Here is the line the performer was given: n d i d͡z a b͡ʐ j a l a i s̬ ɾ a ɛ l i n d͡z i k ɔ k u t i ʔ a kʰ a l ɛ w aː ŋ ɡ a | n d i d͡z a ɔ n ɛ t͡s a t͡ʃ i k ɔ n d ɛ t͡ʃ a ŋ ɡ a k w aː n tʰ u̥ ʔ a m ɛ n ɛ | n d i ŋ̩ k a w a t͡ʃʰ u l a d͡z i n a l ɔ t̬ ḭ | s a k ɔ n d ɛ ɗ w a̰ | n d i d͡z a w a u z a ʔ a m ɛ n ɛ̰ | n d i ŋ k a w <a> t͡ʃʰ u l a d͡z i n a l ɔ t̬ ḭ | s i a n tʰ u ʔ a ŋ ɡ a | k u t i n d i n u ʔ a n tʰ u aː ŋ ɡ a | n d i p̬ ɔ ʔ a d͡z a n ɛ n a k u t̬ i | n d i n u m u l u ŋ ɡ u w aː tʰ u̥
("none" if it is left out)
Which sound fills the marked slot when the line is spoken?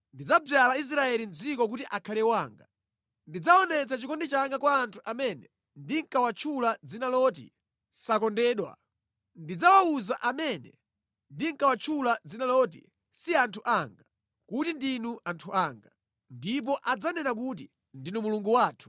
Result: a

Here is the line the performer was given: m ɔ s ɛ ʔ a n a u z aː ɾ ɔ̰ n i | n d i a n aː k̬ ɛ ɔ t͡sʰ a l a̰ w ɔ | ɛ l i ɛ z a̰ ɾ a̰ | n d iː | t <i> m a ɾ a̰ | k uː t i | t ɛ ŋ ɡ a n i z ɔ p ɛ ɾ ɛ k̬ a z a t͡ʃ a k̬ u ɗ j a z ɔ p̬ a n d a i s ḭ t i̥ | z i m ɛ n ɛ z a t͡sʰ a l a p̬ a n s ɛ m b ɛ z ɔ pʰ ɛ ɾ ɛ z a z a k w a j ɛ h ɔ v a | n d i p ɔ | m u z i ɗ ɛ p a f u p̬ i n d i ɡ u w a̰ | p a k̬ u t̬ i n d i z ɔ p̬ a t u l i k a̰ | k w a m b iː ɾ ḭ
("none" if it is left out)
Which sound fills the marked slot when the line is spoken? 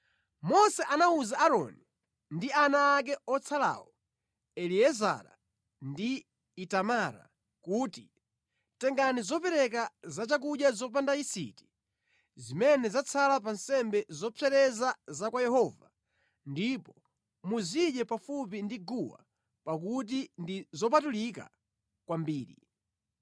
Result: a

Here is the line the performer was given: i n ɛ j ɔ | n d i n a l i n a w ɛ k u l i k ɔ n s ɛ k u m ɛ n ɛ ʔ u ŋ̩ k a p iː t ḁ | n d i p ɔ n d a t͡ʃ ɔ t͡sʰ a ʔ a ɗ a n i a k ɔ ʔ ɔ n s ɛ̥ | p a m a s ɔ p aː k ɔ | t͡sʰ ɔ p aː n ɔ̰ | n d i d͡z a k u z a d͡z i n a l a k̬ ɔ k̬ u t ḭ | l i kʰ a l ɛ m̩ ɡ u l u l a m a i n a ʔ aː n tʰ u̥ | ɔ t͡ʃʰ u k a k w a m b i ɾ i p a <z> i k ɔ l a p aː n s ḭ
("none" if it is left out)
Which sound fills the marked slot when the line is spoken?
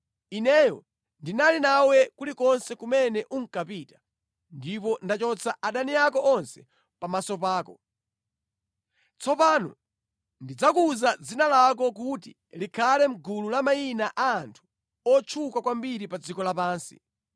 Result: d͡z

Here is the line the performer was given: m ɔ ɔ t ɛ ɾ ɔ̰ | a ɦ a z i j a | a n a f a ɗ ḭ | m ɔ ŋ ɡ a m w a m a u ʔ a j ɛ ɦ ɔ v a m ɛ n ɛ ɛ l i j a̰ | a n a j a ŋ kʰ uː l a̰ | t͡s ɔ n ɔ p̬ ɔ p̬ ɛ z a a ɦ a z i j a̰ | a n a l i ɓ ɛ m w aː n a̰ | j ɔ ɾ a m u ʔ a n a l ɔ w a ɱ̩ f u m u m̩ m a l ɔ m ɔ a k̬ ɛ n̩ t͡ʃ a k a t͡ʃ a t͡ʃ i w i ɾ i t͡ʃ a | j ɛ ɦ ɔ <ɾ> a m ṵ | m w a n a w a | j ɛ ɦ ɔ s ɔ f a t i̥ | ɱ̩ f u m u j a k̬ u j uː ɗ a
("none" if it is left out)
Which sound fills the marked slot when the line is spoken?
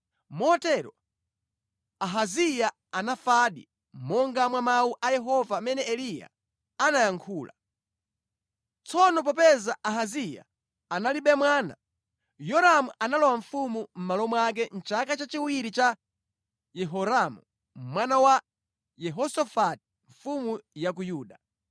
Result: ɾ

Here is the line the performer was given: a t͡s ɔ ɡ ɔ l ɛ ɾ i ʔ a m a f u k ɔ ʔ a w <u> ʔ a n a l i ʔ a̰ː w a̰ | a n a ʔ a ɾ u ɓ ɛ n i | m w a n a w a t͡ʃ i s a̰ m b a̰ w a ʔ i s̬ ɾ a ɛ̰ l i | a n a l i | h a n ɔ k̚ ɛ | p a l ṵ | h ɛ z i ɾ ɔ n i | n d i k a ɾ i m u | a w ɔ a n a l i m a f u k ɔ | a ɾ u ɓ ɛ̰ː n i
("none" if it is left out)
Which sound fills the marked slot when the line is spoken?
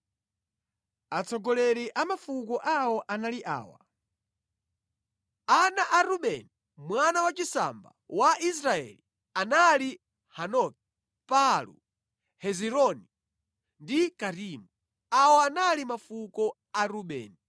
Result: ɔ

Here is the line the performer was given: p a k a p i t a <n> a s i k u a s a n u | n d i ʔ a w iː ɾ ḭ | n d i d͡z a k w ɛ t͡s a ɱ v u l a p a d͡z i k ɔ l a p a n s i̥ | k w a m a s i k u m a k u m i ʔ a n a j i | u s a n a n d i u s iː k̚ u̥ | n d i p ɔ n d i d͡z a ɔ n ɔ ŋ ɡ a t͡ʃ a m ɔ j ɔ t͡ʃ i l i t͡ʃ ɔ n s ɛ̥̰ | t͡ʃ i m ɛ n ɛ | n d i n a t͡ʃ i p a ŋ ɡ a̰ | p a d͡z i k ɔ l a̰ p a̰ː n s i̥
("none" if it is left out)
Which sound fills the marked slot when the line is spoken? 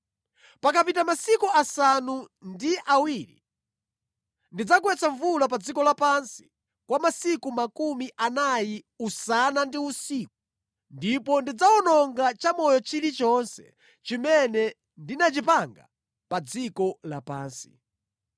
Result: m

